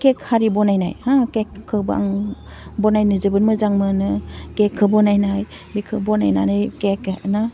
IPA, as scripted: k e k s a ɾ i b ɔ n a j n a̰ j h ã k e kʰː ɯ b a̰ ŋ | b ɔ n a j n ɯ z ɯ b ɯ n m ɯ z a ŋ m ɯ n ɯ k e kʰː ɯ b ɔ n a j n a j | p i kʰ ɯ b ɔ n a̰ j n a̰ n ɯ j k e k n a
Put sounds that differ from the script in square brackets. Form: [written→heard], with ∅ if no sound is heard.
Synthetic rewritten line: k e k [s→h] a ɾ i b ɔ n a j n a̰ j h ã k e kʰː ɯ b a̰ ŋ | b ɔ n a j n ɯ z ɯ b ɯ n m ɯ z a ŋ m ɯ n ɯ k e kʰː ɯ b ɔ n a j n a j | [p→b] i kʰ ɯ b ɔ n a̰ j n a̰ n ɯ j k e k n a